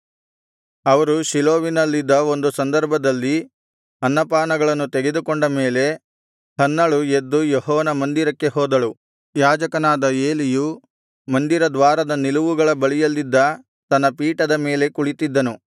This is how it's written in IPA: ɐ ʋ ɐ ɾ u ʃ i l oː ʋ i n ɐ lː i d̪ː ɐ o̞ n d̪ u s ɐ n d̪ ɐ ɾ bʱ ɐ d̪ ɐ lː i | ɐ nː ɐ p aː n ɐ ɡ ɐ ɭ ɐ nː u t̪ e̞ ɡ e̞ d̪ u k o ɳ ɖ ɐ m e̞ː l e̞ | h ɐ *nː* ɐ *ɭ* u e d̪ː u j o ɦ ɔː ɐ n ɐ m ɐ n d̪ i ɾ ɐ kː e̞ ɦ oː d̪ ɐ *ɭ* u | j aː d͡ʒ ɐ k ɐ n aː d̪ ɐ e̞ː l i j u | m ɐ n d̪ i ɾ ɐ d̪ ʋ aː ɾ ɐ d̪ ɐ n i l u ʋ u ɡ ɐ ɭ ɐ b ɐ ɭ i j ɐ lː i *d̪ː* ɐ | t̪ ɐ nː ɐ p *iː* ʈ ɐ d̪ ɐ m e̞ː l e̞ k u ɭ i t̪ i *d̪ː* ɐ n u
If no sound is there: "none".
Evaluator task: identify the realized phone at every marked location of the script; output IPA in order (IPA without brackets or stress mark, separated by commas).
nː, ɭ, ɭ, d̪ː, iː, d̪ː